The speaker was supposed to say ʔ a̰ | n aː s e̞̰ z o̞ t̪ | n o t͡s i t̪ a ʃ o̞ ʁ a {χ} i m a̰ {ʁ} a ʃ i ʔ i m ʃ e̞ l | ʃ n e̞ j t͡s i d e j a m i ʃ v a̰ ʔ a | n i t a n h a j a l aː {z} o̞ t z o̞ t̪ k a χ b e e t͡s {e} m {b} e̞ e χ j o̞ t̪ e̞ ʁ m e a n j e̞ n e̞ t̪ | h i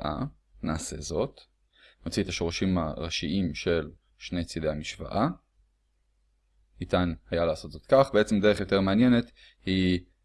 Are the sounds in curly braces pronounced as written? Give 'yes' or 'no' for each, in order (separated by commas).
no, yes, no, yes, no